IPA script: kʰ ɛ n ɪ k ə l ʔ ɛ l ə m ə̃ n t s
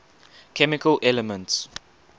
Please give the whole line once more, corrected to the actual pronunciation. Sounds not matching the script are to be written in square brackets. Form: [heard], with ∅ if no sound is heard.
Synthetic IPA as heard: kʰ ɛ [m] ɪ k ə l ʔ ɛ l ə m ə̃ n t s